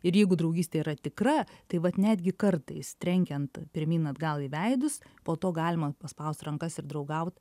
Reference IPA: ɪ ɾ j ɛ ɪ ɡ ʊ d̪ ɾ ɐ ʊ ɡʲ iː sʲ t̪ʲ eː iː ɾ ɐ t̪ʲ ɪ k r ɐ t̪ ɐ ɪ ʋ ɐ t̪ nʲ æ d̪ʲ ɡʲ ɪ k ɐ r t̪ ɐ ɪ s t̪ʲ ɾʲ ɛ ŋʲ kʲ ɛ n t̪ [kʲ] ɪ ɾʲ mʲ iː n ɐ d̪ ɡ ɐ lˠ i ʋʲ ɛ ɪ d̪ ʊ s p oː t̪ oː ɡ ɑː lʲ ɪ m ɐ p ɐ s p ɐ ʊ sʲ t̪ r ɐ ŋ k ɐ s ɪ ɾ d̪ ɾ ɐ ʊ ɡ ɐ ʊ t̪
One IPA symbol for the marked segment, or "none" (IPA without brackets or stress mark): pʲ